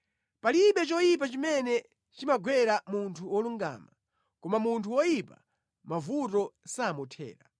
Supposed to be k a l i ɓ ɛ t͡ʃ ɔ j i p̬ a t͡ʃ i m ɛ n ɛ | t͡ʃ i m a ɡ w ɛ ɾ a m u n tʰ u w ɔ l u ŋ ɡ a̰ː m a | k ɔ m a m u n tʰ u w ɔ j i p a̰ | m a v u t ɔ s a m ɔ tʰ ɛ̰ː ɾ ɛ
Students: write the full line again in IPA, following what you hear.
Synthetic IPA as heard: p a l i ɓ ɛ t͡ʃ ɔ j i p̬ a t͡ʃ i m ɛ n ɛ | t͡ʃ i m a ɡ w ɛ ɾ a m u n tʰ u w ɔ l u ŋ ɡ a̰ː m a | k ɔ m a m u n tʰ u w ɔ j i p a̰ | m a v u t ɔ s a m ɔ tʰ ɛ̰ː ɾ a

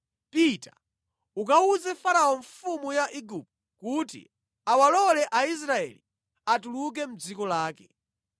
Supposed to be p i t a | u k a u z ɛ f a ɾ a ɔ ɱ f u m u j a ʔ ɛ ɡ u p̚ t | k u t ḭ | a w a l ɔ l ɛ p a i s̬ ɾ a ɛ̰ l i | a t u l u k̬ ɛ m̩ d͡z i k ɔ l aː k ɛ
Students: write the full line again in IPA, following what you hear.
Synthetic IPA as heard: p i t a | u k a u z ɛ f a ɾ a ɔ ɱ f u m u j a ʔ i ɡ u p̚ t | k u t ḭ | a w a l ɔ l ɛ ʔ a i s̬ ɾ a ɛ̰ l i | a t u l u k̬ ɛ m̩ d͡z i k ɔ l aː k ɛ

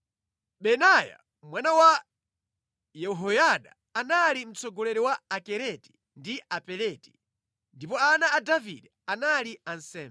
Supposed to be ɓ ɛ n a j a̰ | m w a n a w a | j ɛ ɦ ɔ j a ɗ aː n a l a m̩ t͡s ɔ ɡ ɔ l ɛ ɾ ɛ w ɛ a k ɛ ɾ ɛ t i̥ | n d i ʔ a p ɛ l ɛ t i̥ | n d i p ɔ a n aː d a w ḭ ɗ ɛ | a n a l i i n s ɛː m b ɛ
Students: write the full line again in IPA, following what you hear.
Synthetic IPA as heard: ɓ ɛ n a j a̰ | m w a n a w a | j ɛ ɦ ɔ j a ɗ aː n a l i m̩ t͡s ɔ ɡ ɔ l ɛ ɾ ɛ w a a k ɛ ɾ ɛ t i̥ | n d i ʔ a p ɛ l ɛ t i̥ | n d i p ɔ a n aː d a v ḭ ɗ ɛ | a n a l i a n s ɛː m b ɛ

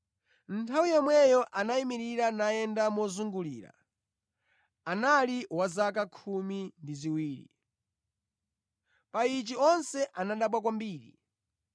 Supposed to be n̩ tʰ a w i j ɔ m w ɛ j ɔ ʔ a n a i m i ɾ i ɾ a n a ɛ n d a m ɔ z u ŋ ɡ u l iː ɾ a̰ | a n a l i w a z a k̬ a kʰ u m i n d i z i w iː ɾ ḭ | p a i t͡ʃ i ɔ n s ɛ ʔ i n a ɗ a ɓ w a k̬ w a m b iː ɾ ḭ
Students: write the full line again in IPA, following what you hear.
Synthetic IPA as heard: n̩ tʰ a w i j ɔ m w ɛ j ɔ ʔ a n a i m i ɾ i ɾ a n a ɛ n d a m ɔ z u ŋ ɡ u l iː ɾ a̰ | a n a l i w a z a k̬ a kʰ u m i n d i z i w iː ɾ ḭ | p a i t͡ʃ i ɔ n s ɛ ʔ a n a ɗ a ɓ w a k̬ w a m b iː ɾ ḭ

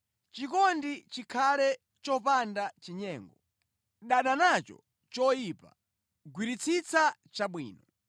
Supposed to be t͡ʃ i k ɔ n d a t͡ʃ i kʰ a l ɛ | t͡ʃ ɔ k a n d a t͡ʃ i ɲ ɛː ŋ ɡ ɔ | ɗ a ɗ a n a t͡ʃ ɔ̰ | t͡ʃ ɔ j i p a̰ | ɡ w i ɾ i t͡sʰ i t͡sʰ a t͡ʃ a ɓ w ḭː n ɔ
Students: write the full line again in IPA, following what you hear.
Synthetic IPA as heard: t͡ʃ i k ɔ n d i t͡ʃ i kʰ a l ɛ | t͡ʃ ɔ p a n d a t͡ʃ i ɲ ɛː ŋ ɡ ɔ | ɗ a ɗ a n a t͡ʃ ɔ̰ | t͡ʃ ɔ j i p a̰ | ɡ w i ɾ i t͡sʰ i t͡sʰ a t͡ʃ a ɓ w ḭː n ɔ

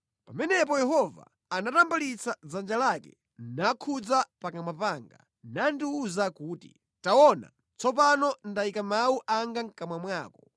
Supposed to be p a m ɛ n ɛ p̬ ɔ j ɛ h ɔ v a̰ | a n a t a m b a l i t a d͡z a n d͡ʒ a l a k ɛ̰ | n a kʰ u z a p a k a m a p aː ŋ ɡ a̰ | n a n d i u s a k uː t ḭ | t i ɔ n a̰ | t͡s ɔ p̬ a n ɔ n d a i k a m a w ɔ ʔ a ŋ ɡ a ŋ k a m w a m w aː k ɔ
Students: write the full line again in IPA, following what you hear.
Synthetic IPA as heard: p a m ɛ n ɛ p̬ ɔ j ɛ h ɔ v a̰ | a n a t a m b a l i t͡s a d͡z a n d͡ʒ a l a k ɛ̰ | n a kʰ u d͡z a p a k a m a p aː ŋ ɡ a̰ | n a n d i u z a k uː t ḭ | t a ɔ n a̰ | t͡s ɔ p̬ a n ɔ n d a i k a m a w u ʔ a ŋ ɡ a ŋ k a m w a m w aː k ɔ

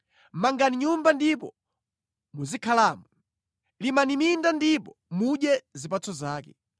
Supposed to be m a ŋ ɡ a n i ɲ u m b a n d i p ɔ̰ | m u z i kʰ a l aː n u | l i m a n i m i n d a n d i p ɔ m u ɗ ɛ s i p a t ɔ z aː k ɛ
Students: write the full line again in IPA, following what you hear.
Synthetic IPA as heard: m a ŋ ɡ a n i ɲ u m b a n d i p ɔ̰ | m u z i kʰ a l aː m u | l i m a n i m i n d a n d i p ɔ m u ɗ ɛ z i p a t͡s ɔ z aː k ɛ

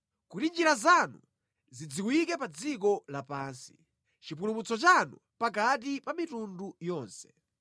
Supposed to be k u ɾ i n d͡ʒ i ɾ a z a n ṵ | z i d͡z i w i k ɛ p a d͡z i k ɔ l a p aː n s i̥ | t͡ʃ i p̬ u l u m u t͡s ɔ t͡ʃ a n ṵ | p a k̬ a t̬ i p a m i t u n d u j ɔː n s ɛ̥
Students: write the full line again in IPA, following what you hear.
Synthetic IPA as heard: k u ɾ i n d͡ʒ i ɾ a z a n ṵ | z i d͡z i w i k ɛ p a d͡z i k ɔ l a p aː n s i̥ | t͡ʃ i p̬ u l u m u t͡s ɔ t͡ʃ a n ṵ | p a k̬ a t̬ i p a m i t u n d u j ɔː n s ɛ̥

